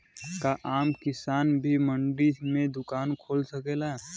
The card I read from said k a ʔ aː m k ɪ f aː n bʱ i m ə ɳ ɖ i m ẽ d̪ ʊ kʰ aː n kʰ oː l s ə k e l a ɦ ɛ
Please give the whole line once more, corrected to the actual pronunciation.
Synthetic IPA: k a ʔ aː m k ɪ s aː n bʱ i m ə ɳ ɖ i m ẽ d̪ ʊ k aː n kʰ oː l s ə k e l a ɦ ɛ